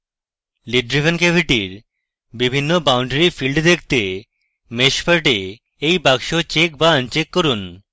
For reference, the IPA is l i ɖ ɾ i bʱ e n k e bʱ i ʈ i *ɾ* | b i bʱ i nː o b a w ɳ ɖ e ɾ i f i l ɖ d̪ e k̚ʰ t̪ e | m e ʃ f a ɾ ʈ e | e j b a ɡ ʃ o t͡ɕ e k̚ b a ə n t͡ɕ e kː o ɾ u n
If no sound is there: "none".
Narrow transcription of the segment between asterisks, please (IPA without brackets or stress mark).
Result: ɾ